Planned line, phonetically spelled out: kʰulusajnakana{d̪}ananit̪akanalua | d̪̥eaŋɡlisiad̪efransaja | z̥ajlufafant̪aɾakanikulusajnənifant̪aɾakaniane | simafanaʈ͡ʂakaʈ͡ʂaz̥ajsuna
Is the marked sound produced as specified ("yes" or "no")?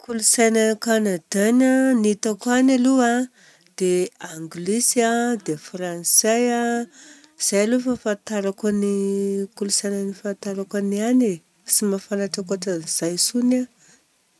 yes